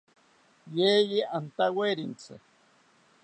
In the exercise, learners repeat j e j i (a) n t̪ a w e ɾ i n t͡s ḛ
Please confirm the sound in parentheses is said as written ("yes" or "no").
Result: yes